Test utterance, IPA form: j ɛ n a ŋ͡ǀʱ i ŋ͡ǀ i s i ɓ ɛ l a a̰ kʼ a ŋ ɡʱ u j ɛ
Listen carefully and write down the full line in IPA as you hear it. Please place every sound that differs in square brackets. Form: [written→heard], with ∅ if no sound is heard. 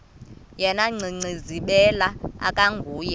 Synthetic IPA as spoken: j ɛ n a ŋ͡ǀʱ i ŋ͡ǀ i [s→z] i ɓ ɛ l a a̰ kʼ a ŋ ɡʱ [u→uː] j ɛ